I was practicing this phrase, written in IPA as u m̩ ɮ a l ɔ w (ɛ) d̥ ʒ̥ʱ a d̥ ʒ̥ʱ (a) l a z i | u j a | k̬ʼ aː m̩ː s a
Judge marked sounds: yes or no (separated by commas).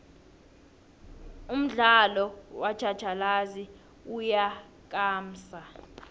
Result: no, yes